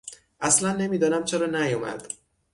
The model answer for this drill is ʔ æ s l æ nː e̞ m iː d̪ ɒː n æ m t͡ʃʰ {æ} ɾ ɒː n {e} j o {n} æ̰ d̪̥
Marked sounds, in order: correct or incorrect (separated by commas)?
incorrect, incorrect, incorrect